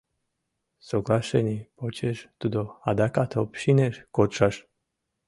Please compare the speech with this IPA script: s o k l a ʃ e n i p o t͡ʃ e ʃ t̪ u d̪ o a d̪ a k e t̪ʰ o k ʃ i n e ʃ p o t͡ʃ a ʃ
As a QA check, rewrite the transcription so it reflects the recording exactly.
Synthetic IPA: s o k l a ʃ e n i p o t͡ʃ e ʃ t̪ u d̪ o a d̪ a k a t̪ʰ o p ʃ i n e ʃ k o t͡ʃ a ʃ